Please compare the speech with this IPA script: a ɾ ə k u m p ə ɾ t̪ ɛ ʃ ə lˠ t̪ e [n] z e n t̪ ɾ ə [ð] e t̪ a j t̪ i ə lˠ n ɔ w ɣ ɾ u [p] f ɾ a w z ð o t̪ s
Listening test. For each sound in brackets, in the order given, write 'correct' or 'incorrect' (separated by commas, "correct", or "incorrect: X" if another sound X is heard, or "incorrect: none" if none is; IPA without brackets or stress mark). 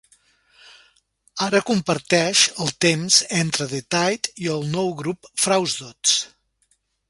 incorrect: m, correct, correct